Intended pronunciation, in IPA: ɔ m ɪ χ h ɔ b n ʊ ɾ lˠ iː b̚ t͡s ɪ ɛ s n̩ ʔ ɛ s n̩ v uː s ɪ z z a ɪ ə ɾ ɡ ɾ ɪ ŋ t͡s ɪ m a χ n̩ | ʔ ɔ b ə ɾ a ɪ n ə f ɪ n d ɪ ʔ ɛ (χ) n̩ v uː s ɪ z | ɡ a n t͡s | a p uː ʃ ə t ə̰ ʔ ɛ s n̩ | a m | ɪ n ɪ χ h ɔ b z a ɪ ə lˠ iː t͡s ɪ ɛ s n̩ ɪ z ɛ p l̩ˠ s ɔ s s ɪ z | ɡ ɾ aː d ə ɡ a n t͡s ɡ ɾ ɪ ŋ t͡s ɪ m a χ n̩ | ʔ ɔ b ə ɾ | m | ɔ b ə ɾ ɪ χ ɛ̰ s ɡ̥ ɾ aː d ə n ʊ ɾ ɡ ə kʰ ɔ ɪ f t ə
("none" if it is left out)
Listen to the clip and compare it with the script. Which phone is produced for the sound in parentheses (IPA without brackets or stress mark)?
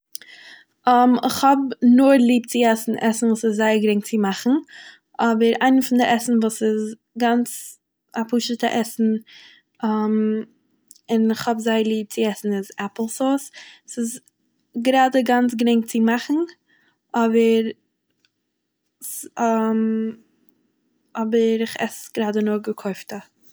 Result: s